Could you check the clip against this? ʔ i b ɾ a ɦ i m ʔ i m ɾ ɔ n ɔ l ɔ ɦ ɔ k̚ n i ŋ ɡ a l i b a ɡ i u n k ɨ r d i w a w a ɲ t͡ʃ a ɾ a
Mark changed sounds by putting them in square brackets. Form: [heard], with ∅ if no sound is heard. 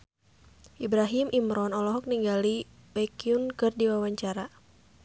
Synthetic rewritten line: ʔ i b ɾ a ɦ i m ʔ i m ɾ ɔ n ɔ l ɔ ɦ ɔ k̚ n i ŋ ɡ a l i b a [k] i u n k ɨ r d i w a w a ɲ t͡ʃ a ɾ a